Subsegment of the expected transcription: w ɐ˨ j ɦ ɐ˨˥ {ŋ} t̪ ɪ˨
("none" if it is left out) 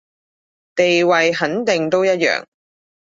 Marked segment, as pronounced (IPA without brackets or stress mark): n